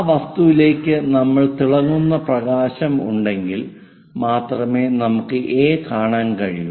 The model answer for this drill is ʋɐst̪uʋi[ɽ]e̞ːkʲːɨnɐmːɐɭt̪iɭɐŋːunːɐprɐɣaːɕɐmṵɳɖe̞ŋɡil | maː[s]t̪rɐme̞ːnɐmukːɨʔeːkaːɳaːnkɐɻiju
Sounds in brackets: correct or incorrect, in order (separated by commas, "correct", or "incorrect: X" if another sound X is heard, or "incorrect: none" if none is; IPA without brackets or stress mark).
incorrect: l, incorrect: none